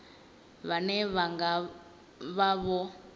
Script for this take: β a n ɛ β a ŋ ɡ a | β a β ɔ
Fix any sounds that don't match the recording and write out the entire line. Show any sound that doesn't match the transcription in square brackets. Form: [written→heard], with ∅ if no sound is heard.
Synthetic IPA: β a n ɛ β a ŋ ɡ a | β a β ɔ